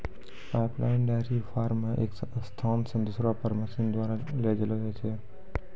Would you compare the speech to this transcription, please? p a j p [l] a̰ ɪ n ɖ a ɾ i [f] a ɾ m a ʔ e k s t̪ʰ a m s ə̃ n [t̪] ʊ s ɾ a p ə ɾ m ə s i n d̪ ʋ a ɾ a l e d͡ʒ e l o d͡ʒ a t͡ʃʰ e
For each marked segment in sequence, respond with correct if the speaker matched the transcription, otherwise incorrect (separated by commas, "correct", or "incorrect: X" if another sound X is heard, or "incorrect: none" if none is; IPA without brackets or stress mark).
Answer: correct, correct, incorrect: d̪